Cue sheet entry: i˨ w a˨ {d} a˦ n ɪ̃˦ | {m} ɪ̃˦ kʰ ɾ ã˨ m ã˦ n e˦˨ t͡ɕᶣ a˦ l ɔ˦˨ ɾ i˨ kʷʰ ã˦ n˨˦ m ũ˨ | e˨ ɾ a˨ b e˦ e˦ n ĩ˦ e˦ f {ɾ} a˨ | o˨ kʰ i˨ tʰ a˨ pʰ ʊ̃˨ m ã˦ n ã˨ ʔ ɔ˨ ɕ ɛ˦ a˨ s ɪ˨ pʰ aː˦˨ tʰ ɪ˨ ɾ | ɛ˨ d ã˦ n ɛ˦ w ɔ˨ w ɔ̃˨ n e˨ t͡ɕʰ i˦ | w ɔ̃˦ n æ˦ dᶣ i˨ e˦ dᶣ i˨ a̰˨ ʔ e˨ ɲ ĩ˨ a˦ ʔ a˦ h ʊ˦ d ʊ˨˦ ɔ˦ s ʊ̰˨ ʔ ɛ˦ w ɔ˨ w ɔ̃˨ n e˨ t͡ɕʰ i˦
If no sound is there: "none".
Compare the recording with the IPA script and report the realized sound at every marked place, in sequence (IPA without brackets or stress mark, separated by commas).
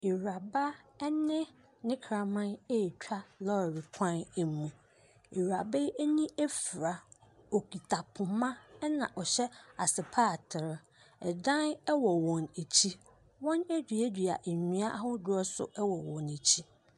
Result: b, n, ɾ